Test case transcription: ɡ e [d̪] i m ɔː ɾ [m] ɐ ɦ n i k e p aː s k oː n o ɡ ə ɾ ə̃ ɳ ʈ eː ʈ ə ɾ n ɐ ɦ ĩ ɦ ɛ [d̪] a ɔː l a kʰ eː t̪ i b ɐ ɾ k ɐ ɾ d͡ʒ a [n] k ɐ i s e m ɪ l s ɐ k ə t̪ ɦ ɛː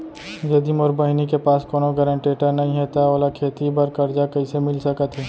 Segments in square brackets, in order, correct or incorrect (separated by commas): correct, incorrect, incorrect, incorrect